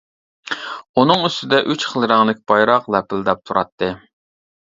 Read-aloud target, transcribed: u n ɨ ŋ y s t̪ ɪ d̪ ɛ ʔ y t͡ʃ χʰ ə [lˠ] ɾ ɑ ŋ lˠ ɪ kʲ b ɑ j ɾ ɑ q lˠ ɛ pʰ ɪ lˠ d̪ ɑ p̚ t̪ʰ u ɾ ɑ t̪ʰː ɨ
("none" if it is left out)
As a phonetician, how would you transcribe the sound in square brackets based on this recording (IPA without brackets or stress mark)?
lˠ